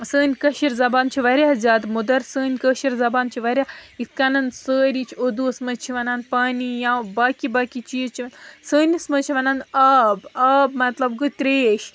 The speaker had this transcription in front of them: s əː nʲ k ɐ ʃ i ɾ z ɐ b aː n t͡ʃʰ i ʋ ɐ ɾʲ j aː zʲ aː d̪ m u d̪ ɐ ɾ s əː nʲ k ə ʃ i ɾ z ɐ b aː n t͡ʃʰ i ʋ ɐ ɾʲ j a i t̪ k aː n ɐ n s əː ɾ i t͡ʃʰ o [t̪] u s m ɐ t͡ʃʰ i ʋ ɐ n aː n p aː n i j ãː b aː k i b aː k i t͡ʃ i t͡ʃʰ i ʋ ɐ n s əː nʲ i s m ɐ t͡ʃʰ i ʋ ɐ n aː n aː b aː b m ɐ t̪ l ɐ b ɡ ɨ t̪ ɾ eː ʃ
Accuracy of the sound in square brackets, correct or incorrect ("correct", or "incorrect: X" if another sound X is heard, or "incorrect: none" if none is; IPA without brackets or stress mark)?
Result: incorrect: d̪